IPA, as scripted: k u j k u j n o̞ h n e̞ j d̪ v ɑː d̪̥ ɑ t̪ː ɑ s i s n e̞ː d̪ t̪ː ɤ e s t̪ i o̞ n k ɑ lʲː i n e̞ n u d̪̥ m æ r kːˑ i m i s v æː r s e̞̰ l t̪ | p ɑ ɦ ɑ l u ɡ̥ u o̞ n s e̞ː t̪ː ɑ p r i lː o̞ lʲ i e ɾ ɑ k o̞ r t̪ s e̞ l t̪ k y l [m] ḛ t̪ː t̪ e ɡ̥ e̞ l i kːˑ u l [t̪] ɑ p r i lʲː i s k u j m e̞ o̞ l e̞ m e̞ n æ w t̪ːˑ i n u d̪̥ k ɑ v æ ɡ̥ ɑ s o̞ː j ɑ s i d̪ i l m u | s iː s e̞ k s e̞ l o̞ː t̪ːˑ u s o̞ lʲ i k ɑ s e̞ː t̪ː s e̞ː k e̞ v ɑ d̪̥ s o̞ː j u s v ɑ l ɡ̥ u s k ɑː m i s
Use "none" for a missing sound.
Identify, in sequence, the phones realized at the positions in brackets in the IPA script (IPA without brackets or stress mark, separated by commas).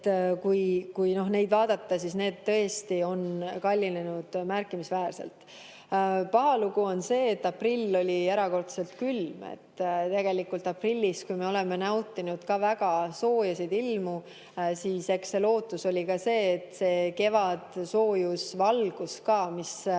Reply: m, t̪